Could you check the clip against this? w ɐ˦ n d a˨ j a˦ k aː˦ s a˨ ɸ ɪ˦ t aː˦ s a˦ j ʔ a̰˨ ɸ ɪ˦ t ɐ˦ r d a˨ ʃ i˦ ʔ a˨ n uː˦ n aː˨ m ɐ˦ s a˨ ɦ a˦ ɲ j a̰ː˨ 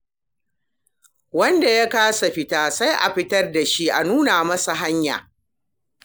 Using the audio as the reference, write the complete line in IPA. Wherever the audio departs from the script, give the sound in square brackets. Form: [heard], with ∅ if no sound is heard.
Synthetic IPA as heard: w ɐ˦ n d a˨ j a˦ k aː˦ s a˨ ɸ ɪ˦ t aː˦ s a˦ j ʔ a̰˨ ɸ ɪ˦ t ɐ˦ r d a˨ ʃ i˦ ʔ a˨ n uː˦ n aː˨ m ɐ˦ s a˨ ɦ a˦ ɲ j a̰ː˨